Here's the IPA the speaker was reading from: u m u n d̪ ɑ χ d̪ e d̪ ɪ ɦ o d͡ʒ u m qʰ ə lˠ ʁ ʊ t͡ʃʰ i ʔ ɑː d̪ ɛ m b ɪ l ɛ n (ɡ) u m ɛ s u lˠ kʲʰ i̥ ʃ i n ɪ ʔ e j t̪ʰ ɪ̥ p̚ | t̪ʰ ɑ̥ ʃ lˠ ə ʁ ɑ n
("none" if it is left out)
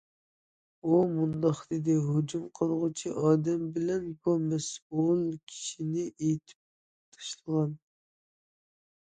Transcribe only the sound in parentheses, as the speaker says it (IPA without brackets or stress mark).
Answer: b